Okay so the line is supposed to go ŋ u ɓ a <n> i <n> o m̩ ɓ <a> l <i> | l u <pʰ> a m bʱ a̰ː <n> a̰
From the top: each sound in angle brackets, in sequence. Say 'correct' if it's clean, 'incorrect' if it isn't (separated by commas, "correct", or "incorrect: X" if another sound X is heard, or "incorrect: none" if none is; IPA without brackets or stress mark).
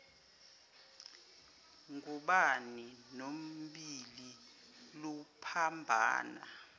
correct, correct, incorrect: i, correct, correct, correct